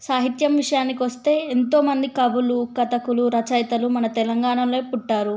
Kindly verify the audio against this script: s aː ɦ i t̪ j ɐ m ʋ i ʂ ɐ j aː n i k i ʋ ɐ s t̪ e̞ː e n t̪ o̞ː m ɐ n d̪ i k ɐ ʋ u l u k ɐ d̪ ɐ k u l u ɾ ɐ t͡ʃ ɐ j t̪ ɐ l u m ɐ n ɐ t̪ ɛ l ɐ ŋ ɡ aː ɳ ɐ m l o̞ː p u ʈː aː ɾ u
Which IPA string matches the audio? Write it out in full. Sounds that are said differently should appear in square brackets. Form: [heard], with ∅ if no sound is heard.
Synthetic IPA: s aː ɦ i t̪ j ɐ m ʋ i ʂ ɐ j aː n i k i ʋ ɐ s t̪ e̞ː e n t̪ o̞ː m ɐ n d̪ i k ɐ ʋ u l u k ɐ [t̪] ɐ k u l u ɾ ɐ t͡ʃ ɐ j t̪ ɐ l u m ɐ n ɐ t̪ ɛ l ɐ ŋ ɡ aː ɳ ɐ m l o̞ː p u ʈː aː ɾ u

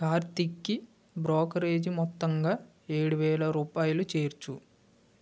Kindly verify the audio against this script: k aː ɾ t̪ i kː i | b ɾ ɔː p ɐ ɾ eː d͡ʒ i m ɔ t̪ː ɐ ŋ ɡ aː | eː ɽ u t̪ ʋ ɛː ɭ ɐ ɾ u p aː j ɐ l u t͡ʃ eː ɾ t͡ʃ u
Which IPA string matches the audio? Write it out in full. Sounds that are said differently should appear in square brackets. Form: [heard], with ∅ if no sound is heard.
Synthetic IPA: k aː ɾ t̪ i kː i | b ɾ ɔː [k] ɐ ɾ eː d͡ʒ i m ɔ t̪ː ɐ ŋ ɡ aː | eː ɽ u [∅] ʋ ɛː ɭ ɐ ɾ [uː] p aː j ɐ l u t͡ʃ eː ɾ t͡ʃ u

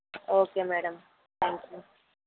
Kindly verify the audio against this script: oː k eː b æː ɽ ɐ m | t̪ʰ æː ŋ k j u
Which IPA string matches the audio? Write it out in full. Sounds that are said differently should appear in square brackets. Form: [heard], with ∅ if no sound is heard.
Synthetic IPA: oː k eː [m] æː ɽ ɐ m | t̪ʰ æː ŋ k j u

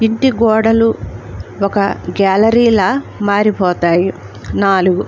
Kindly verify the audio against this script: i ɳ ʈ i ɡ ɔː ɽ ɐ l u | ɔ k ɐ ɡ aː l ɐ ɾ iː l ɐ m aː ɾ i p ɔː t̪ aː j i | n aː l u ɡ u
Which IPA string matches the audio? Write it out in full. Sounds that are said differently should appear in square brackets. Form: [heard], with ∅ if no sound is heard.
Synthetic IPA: i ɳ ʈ i ɡ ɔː ɽ ɐ l u | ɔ k ɐ ɡ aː l ɐ ɾ iː l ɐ m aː ɾ i p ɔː t̪ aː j i | n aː l u ɡ u

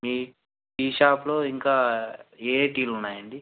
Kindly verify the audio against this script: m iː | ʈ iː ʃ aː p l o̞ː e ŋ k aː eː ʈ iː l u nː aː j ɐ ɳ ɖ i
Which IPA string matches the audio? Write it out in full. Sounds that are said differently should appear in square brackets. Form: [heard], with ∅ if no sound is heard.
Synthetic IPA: m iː | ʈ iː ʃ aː p l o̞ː [i] ŋ k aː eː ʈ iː l u nː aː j ɐ ɳ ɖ i

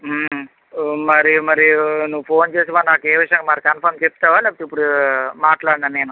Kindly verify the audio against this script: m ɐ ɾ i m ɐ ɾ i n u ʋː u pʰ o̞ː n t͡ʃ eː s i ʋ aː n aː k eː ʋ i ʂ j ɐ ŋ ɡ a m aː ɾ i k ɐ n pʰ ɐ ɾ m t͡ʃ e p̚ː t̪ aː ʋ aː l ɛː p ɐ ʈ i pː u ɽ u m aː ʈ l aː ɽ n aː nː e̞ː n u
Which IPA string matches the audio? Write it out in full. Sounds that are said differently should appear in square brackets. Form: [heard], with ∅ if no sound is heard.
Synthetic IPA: m ɐ ɾ i m ɐ ɾ i n u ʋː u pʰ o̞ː n t͡ʃ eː s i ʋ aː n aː k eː ʋ i ʂ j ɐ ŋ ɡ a m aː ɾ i k ɐ n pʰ ɐ ɾ m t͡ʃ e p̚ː t̪ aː ʋ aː l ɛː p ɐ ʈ i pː u ɽ u m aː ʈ l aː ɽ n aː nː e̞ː n u

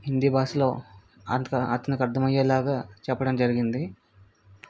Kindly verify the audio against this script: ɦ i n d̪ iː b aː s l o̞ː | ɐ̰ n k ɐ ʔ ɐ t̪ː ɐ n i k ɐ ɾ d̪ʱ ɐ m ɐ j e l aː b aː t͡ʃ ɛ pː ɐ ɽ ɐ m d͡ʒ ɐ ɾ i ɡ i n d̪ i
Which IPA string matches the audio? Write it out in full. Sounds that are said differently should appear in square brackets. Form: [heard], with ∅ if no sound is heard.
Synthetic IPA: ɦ i n d̪ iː b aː s l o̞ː | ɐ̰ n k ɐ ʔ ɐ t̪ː ɐ n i k ɐ ɾ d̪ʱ ɐ m ɐ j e l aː [ɡ] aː t͡ʃ ɛ pː ɐ ɽ ɐ m d͡ʒ ɐ ɾ i ɡ i n d̪ i

